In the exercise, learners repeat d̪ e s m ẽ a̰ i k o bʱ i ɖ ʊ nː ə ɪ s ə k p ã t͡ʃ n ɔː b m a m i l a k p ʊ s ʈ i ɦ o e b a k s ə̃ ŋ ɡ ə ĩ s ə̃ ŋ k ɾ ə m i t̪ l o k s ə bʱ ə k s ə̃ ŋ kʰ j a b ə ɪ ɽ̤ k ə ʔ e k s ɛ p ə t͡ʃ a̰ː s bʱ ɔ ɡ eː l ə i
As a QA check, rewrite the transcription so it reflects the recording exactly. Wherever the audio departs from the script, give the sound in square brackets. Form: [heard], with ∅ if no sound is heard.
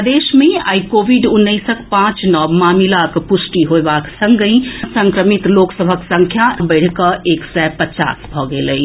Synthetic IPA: d̪ e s m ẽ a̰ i k o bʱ i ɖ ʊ nː ə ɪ s ə k p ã t͡ʃ n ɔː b m a m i l a k p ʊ s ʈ i ɦ o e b a k s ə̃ ŋ ɡ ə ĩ s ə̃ ŋ k ɾ ə m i t̪ l o k s ə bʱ ə k s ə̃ ŋ kʰ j a b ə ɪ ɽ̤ k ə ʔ e k s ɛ p ə t͡ʃ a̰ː s bʱ ɔ ɡ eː l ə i